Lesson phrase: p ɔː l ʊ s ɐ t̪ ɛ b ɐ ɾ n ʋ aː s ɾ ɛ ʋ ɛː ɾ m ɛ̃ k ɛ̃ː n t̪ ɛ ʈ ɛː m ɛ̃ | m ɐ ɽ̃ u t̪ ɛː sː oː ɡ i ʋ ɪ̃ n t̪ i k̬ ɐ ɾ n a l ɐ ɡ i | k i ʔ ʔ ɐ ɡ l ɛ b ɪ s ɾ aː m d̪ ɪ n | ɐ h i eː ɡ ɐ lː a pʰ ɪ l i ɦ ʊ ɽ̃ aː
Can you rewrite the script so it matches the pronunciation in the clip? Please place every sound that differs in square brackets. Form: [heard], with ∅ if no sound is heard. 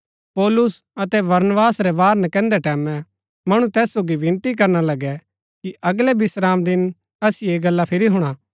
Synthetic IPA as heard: p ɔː l ʊ s ɐ t̪ ɛ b ɐ ɾ n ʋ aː s ɾ ɛ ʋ [aː] ɾ [n] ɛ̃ k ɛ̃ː n [d̪] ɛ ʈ ɛː m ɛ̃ | m ɐ ɽ̃ u t̪ ɛː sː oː ɡ i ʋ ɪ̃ n t̪ i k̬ ɐ ɾ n a l ɐ ɡ [ɛ] | k i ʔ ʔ ɐ ɡ l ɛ b ɪ s ɾ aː m d̪ ɪ n | ɐ [s] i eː ɡ ɐ lː a pʰ ɪ [ɾ] i ɦ ʊ ɽ̃ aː